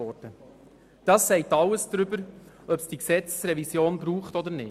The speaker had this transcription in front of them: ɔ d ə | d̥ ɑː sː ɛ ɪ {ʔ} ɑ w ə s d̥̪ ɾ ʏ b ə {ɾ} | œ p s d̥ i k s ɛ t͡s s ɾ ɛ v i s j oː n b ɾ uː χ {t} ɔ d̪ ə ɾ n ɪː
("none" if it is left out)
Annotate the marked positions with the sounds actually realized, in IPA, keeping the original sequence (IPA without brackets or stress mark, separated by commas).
t, ɾ, t